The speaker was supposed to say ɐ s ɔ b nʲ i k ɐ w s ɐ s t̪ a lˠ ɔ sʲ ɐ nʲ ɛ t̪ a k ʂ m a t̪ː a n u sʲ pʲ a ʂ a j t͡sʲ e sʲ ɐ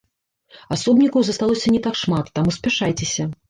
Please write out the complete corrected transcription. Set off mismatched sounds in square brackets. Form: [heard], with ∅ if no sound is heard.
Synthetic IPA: [a] s ɔ b nʲ i k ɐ w [z] ɐ s t̪ a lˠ ɔ sʲ ɐ nʲ ɛ t̪ a k ʂ m a t̪ː a [m] u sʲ pʲ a ʂ a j t͡sʲ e sʲ ɐ